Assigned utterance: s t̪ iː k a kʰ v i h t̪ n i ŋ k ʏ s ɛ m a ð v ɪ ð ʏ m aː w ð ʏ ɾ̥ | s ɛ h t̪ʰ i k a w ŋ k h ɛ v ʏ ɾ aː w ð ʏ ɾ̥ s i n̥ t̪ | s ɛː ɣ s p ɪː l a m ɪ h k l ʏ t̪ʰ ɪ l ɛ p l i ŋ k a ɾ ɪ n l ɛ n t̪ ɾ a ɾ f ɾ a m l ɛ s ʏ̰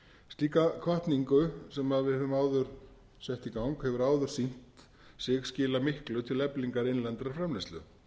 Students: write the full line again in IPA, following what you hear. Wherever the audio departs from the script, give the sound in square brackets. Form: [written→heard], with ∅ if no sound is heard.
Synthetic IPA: s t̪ iː k a kʰ v [i→a] h t̪ n i ŋ k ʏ s ɛ m a ð v ɪ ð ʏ m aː w ð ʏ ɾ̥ | s ɛ h [t̪ʰ→t̪] i k a w ŋ k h ɛ v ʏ ɾ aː w ð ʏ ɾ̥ s i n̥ t̪ | s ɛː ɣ s [p→c] ɪː l a m ɪ h k l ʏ t̪ʰ ɪ l ɛ p l i ŋ k a ɾ ɪ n l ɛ n t̪ ɾ a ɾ f ɾ a m l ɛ s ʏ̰